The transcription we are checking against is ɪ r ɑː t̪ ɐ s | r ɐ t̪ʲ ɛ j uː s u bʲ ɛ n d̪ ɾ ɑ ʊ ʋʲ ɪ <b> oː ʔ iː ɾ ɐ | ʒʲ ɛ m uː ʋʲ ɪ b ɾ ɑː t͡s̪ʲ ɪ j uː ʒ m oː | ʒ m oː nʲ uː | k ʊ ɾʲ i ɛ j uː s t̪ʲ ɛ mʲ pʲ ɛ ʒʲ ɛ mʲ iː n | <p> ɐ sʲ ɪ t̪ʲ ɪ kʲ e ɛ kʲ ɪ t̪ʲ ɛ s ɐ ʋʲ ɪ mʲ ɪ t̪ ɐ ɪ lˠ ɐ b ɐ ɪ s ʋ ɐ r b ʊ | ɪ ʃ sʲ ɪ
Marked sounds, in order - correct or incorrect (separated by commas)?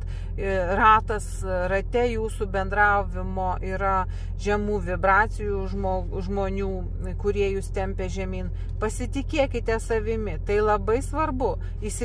incorrect, correct